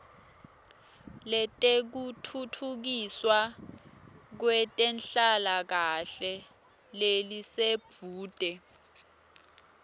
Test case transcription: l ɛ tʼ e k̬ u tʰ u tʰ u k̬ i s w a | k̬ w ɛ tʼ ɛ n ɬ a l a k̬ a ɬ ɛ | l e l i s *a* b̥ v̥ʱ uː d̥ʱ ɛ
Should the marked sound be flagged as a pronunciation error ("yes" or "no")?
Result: yes